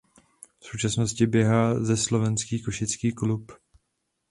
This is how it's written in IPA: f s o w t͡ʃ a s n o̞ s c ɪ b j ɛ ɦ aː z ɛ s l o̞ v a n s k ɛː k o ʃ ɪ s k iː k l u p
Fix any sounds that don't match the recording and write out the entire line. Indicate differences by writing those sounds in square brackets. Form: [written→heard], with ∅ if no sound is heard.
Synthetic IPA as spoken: f s o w t͡ʃ a s n o̞ s c ɪ b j ɛ ɦ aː z ɛ s l o̞ v [a→ɛ] n s k [ɛː→iː] k o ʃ ɪ [s→t͡s] k iː k l u p